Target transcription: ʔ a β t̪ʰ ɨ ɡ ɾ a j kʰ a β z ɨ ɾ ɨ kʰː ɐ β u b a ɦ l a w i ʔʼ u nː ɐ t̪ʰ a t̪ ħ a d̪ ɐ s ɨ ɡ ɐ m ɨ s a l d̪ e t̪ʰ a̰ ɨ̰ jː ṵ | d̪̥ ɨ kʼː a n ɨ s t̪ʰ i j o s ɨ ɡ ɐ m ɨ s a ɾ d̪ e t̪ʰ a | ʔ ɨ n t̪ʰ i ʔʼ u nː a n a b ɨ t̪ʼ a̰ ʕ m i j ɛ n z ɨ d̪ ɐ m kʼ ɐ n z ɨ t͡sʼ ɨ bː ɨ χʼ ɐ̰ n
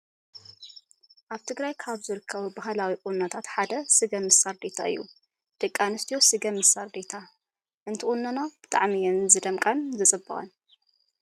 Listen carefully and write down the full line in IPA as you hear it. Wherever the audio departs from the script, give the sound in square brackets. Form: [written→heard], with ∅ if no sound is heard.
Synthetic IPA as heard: ʔ a β t̪ʰ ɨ ɡ ɾ a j kʰ a β z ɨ ɾ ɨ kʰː ɐ β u b a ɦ l a w i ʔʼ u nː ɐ t̪ʰ a t̪ ħ a d̪ ɐ s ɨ ɡ ɐ m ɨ s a [l→ɾ] d̪ e t̪ʰ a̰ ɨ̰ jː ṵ | d̪̥ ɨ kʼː a n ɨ s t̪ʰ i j o s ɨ ɡ ɐ m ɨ s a ɾ d̪ e t̪ʰ a | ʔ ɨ n t̪ʰ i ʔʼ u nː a n a b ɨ t̪ʼ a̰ ʕ m i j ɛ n z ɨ d̪ ɐ m kʼ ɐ n z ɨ t͡sʼ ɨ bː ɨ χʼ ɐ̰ n

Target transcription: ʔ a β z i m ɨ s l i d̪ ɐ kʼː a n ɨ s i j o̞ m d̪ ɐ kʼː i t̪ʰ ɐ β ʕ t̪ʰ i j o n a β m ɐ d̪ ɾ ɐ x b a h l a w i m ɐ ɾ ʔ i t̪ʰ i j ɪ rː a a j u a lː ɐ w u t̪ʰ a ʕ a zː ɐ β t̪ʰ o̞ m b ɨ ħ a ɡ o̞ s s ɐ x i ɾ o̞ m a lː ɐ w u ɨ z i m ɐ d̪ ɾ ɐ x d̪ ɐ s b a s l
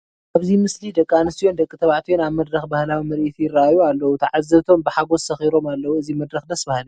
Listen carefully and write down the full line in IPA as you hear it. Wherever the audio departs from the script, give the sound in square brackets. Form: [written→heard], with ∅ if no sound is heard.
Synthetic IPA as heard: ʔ a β z i m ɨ s l i d̪ ɐ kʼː a n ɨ s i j o̞ [m→n] d̪ ɐ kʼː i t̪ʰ ɐ β ʕ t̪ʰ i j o n a β m ɐ d̪ ɾ ɐ x b a h l a w i m ɐ ɾ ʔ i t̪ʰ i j ɪ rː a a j u a lː ɐ w u t̪ʰ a ʕ a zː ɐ β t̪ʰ o̞ m b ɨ ħ a ɡ o̞ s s ɐ x i ɾ o̞ m a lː ɐ w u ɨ z i m ɐ d̪ ɾ ɐ x d̪ ɐ s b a [s→h] l

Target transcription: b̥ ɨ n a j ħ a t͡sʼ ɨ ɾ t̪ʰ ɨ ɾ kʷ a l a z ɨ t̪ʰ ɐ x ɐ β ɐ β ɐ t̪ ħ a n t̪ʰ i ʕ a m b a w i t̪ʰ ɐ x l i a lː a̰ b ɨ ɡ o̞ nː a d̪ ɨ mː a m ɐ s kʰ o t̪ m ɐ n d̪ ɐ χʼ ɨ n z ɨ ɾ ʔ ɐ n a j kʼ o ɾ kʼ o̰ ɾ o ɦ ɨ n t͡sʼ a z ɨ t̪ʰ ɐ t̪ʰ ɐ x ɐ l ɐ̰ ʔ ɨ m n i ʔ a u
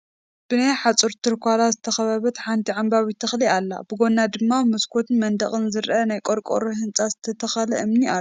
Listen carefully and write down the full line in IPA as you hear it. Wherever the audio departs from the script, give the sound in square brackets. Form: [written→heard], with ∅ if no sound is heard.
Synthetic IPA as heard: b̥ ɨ n a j ħ a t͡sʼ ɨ ɾ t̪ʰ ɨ ɾ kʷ a l a z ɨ t̪ʰ ɐ x ɐ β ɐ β ɐ t̪ ħ a n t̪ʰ i ʕ a m b a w i t̪ʰ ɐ x l i a lː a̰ b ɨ ɡ o̞ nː a d̪ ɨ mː a m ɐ s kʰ o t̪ m ɐ n d̪ ɐ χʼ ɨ n z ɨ ɾ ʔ ɐ n a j kʼ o ɾ kʼ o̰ ɾ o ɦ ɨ n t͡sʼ a z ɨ t̪ʰ ɐ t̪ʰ ɐ x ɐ l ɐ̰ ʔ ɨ m n i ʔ a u

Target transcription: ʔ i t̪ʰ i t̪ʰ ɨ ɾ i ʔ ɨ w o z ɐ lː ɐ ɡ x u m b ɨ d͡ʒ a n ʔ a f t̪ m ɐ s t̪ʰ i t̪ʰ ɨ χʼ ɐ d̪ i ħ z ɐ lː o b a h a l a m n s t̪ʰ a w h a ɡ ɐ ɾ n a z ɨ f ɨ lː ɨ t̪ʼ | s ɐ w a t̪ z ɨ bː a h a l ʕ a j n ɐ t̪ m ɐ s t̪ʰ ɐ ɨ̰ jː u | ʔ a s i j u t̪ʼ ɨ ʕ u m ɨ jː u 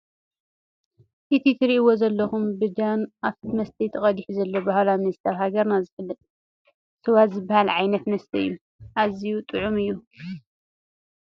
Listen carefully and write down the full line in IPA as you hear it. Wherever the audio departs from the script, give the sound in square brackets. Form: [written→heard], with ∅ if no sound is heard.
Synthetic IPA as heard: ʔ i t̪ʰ i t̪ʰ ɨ ɾ i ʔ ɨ w o z ɐ lː ɐ [ɡ→∅] x u m b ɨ d͡ʒ a n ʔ a f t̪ m ɐ s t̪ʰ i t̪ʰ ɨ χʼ ɐ d̪ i ħ z ɐ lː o b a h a l a m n s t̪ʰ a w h a ɡ ɐ ɾ n a z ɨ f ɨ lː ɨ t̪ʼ | s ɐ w a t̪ z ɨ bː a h a l ʕ a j n ɐ t̪ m ɐ s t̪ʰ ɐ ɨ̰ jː u | ʔ a [s→z] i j u t̪ʼ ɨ ʕ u m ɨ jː u

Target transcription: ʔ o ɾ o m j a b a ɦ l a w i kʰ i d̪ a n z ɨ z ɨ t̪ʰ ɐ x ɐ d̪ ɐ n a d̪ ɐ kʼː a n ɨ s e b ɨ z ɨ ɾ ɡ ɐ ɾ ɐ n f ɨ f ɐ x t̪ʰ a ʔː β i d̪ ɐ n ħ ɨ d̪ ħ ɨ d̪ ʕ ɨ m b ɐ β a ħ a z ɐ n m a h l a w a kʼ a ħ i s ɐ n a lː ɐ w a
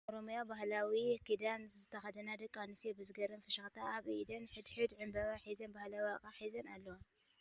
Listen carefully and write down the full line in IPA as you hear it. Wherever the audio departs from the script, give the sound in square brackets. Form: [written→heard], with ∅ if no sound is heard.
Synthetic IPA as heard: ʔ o ɾ o m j a b a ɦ l a w i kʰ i d̪ a n z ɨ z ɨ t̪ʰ ɐ x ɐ d̪ ɐ n a d̪ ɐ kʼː a n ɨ s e b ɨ z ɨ [ɾ→∅] ɡ ɐ ɾ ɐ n f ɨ [f→ʃ] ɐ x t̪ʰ a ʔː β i d̪ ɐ n ħ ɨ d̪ ħ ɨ d̪ ʕ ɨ m b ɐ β a ħ [a→i] z ɐ n [m→b] a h l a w a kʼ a ħ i [s→z] ɐ n a lː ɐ w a

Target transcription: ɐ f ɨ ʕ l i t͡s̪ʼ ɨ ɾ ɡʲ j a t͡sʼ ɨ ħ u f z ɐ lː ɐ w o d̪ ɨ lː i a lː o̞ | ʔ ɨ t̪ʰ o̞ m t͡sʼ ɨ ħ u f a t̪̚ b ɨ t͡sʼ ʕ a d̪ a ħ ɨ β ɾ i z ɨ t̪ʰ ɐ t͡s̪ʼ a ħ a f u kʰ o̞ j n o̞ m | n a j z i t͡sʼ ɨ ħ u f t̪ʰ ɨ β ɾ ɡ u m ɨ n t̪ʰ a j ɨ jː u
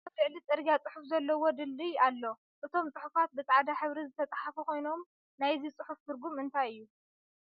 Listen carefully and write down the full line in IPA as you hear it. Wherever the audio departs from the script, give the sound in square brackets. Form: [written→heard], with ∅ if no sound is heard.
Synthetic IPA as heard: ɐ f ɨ ʕ l i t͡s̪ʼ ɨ ɾ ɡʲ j a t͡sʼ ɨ ħ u f z ɐ lː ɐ w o d̪ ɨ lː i a lː o̞ | ʔ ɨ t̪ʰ o̞ m t͡sʼ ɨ ħ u f a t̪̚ b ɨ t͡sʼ ʕ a d̪ a ħ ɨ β ɾ i z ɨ t̪ʰ ɐ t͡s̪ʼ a ħ a f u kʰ o̞ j n o̞ m | n a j z i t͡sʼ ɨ ħ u f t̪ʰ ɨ [β→∅] ɾ ɡ u m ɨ n t̪ʰ a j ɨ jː u

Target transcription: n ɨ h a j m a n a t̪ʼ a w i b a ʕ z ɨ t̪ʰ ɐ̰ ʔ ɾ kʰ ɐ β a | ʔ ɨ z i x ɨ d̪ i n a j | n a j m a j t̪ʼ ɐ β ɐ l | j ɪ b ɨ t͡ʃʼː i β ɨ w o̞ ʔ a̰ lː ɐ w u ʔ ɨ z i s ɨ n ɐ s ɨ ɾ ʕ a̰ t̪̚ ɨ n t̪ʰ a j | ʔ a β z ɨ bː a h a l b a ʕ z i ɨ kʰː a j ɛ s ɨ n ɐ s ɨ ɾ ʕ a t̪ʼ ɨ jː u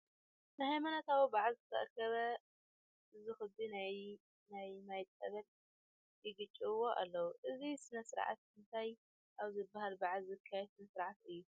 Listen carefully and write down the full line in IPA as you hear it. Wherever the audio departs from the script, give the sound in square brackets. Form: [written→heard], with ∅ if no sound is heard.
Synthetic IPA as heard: n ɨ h a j m a n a [t̪ʼ→t̪] a w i b a ʕ z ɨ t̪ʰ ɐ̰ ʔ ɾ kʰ ɐ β [a→ɐ] | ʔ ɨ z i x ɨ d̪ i n a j | n a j m a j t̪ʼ ɐ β ɐ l | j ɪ [b→ɡ] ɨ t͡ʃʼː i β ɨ w o̞ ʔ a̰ lː ɐ w u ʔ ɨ z i s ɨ n ɐ s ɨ ɾ ʕ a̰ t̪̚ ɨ n t̪ʰ a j | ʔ a β z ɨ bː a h a l b a ʕ z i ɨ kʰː a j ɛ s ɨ n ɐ s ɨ ɾ ʕ a [t̪ʼ→t̪] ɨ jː u

